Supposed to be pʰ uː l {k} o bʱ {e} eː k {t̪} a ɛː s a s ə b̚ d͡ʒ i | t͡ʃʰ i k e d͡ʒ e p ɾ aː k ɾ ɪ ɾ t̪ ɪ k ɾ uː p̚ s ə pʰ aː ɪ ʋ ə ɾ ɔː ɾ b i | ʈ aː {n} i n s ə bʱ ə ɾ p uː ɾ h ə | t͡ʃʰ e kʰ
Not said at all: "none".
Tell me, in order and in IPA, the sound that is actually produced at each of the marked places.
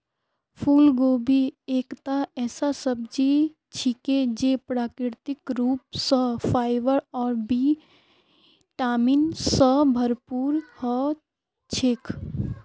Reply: ɡ, i, t̪, m

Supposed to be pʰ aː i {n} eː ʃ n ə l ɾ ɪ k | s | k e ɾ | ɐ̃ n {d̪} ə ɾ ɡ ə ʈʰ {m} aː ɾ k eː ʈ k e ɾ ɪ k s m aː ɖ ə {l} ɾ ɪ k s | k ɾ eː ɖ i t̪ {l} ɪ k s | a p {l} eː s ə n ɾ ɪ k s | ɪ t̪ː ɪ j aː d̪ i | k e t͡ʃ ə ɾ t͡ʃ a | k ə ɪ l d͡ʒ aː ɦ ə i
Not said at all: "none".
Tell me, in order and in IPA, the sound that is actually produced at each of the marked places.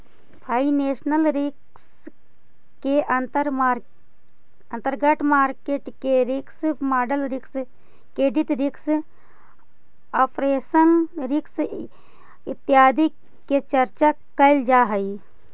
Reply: n, t̪, m, l, ɾ, ɾ

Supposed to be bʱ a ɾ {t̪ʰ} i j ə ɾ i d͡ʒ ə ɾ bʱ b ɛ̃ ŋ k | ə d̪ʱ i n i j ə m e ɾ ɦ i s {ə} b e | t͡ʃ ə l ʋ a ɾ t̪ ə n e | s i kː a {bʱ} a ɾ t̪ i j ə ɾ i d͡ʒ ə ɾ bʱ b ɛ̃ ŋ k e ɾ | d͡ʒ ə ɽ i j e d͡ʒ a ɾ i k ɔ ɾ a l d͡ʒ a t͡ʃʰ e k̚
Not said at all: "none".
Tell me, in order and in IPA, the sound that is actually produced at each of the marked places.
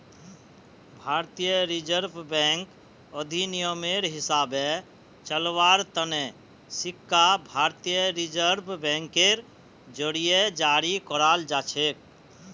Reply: t̪, a, bʱ

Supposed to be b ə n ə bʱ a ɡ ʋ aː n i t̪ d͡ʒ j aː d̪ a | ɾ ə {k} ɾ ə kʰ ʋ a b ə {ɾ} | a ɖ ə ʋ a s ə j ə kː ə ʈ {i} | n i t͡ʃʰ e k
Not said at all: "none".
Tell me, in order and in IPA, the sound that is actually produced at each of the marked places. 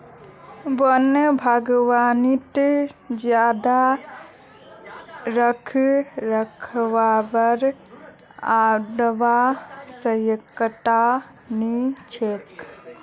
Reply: kʰ, ɾ, a

